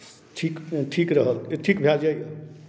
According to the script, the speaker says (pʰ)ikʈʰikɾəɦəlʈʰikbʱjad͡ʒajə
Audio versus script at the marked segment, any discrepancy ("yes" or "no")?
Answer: yes